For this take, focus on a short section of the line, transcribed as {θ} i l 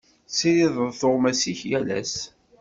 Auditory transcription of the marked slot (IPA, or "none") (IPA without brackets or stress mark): s